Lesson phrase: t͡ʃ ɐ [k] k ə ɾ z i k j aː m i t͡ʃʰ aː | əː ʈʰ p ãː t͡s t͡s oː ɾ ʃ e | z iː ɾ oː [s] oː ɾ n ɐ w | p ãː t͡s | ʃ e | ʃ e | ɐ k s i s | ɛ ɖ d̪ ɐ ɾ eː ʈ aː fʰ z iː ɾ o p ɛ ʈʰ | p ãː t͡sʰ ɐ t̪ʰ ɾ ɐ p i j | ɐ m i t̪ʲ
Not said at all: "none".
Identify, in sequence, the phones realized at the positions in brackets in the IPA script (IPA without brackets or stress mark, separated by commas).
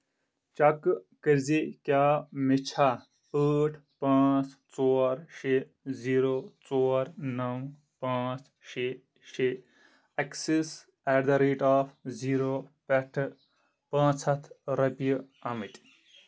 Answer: k, t͡s